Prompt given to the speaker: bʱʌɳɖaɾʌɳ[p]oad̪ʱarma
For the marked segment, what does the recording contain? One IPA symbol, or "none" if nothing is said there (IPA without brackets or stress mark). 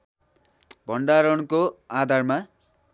k